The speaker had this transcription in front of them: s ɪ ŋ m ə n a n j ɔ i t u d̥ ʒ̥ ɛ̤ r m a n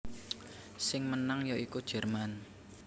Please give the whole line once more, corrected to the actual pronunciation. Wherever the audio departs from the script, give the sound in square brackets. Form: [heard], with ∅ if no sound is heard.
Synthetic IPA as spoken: s ɪ ŋ m ə n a [ŋ] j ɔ i [k] u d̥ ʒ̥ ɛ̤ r m a n